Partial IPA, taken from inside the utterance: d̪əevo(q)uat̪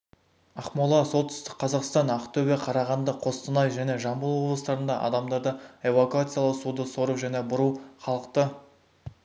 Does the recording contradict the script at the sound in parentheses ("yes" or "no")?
yes